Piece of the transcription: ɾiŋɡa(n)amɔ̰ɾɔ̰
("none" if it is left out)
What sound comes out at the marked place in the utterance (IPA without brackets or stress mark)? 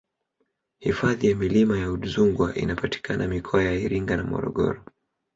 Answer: n